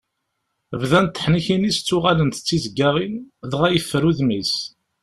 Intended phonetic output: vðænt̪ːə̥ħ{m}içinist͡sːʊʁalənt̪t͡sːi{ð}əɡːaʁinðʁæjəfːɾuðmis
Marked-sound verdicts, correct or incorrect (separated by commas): incorrect, incorrect